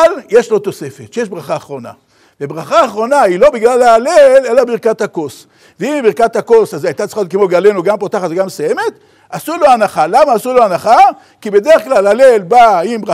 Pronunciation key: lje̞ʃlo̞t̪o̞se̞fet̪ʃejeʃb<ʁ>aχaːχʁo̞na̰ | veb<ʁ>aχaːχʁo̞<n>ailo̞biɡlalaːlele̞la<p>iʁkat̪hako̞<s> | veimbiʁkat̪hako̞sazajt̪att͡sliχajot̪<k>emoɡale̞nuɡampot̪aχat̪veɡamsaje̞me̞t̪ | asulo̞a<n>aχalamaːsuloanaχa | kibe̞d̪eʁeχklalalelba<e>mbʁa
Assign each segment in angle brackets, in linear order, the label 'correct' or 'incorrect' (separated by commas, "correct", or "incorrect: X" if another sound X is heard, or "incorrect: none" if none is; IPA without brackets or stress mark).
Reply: correct, correct, correct, incorrect: b, correct, correct, correct, incorrect: i